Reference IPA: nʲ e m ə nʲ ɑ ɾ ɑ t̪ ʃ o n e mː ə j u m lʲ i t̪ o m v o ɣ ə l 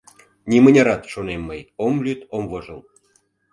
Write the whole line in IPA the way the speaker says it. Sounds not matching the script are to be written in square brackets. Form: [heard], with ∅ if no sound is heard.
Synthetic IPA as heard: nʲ [i] m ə nʲ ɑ ɾ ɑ t̪ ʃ o n e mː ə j [o] m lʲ [y] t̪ o m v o [ʒ] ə l